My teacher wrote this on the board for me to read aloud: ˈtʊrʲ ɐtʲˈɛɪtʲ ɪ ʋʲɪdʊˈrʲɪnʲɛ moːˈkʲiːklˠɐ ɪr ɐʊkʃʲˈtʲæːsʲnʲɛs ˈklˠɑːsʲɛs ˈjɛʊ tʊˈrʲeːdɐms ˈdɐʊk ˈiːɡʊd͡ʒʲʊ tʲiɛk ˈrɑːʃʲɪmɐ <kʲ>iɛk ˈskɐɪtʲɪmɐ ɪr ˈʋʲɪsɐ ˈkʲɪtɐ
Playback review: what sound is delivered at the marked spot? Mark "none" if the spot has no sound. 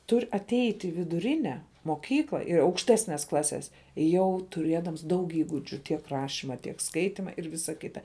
tʲ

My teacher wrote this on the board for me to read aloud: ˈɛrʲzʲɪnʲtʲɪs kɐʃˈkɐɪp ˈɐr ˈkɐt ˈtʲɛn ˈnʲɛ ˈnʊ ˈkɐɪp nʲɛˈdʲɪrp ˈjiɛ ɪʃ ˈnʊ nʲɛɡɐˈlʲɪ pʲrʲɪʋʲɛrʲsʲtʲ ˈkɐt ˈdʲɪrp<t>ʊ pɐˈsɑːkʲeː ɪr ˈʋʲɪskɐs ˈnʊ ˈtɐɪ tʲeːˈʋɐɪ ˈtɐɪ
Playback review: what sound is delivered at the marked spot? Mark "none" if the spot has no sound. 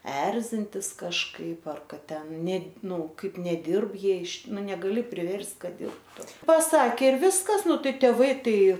t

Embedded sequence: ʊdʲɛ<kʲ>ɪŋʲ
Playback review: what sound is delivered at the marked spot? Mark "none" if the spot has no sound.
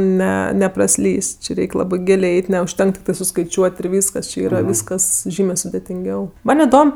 tʲ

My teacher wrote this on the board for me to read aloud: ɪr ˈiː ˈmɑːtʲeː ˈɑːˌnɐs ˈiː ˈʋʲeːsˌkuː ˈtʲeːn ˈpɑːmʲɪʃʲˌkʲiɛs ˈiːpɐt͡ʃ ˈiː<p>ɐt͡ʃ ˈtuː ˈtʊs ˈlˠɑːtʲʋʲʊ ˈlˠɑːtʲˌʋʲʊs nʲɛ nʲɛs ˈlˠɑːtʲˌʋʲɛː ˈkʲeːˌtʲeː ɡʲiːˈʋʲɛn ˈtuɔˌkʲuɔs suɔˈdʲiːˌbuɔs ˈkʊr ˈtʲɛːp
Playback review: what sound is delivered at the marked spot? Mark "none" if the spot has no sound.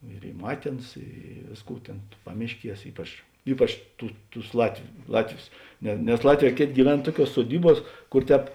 p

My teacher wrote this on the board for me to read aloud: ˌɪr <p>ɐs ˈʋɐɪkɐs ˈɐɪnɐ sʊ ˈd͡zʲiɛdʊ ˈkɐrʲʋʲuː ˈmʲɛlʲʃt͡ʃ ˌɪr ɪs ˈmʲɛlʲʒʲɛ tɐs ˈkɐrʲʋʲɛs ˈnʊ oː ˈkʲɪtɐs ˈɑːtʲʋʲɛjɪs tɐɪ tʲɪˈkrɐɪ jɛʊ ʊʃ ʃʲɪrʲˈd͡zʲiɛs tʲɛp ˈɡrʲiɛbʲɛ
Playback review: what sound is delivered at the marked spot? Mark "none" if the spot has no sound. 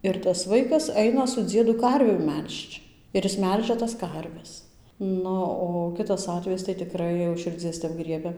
t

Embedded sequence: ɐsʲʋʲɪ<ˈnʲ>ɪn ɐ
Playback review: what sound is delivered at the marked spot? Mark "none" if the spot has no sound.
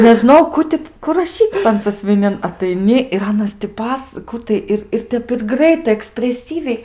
nʲ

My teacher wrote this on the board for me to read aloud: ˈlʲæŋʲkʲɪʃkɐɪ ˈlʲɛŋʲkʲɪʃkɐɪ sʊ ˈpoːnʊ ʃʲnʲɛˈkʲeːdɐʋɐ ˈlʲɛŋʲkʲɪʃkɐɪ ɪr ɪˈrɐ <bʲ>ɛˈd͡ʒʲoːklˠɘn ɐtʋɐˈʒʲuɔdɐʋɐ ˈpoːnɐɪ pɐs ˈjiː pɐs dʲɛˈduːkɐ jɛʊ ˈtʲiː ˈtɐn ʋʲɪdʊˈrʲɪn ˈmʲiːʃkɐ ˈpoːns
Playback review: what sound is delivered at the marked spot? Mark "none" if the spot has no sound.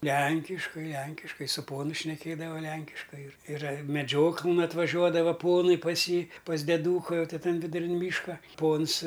mʲ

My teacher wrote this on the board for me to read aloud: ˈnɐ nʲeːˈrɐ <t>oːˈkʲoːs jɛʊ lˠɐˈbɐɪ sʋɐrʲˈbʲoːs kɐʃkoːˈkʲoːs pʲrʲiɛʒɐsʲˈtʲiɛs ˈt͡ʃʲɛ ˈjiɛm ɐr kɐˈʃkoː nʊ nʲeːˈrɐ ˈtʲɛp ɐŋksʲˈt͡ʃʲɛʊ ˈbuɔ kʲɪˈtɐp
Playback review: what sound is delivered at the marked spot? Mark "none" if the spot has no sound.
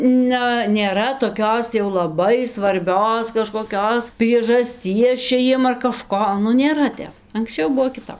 t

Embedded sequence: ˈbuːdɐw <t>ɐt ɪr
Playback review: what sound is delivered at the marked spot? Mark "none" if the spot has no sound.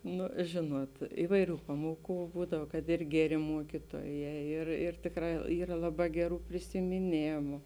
k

